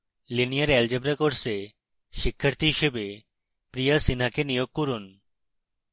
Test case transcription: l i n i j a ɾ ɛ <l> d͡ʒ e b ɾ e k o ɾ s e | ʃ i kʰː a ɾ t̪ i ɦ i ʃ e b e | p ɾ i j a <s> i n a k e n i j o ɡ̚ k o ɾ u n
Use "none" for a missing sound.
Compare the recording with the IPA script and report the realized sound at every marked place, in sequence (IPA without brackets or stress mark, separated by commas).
l, s